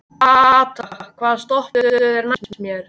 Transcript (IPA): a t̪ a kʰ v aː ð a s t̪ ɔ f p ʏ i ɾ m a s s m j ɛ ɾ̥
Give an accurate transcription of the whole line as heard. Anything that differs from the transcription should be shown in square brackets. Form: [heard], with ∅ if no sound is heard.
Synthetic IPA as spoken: a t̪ a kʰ v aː ð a s t̪ ɔ [h] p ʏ [ɛ] ɾ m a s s m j ɛ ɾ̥